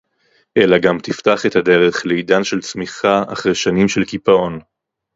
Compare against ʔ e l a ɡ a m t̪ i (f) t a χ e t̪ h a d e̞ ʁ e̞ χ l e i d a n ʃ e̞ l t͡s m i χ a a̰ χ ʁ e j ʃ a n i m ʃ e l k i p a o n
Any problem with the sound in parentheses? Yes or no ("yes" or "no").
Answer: no